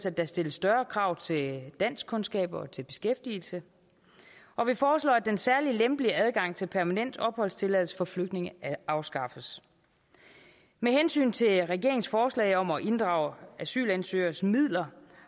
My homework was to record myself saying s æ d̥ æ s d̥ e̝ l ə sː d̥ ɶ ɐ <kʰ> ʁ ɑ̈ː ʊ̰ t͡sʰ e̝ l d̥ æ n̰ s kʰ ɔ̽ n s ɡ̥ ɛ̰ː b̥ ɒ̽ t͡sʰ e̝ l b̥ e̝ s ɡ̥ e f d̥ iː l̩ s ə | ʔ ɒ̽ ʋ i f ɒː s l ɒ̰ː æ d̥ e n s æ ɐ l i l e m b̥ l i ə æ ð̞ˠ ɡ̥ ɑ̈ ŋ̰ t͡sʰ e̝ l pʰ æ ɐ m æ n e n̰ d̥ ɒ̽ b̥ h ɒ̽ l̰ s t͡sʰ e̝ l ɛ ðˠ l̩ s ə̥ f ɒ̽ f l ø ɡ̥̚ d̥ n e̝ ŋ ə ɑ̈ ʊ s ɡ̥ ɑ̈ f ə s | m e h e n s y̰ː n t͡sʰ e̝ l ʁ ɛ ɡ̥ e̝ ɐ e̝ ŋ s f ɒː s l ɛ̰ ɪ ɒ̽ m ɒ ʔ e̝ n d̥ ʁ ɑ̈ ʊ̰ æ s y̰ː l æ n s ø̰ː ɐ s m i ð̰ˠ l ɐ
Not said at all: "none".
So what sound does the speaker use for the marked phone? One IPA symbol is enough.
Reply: kʰ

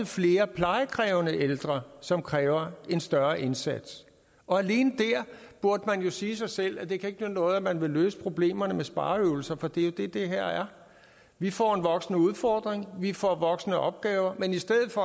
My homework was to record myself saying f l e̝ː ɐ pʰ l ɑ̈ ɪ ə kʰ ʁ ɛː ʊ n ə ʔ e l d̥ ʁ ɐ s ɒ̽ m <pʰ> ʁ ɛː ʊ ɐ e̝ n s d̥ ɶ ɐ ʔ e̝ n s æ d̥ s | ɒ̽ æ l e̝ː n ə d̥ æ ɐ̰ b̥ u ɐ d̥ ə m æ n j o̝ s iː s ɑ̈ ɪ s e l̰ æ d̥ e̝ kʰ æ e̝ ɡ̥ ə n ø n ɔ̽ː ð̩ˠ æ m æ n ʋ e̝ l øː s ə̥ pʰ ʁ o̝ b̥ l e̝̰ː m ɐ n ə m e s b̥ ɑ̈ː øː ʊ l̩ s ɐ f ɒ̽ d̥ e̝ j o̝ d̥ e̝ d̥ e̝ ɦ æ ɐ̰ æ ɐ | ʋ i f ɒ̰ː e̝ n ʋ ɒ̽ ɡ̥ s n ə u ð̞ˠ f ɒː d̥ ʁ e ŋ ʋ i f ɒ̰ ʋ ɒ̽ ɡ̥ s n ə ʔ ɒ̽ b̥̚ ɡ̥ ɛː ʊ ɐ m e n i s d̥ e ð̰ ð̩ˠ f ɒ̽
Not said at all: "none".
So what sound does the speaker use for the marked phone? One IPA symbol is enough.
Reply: kʰ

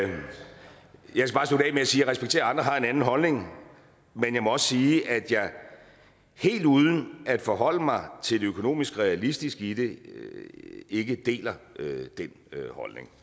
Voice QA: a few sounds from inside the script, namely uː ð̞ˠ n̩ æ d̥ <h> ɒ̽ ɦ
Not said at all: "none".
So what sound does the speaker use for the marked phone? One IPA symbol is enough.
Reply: f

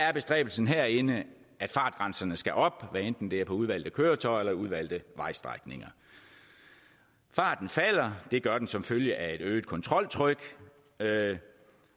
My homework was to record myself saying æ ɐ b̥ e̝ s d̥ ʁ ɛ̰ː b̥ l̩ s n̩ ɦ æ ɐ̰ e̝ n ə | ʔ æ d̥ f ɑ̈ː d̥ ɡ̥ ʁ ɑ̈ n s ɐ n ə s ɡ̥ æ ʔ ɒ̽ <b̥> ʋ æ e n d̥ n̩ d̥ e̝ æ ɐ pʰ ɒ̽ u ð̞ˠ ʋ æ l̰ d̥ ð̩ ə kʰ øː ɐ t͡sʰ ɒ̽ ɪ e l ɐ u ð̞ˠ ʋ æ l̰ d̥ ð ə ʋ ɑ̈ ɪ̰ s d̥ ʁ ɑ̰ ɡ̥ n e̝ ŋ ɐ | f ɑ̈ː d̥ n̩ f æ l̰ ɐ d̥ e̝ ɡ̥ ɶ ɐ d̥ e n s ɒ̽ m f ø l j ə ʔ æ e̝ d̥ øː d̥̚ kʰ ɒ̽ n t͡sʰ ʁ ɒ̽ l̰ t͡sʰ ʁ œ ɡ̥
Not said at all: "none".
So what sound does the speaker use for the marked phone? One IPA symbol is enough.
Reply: b̥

